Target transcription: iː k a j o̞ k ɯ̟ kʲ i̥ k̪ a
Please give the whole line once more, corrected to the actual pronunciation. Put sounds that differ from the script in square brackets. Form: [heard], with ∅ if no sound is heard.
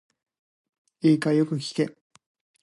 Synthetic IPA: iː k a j o̞ k ɯ̟ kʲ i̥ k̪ [e]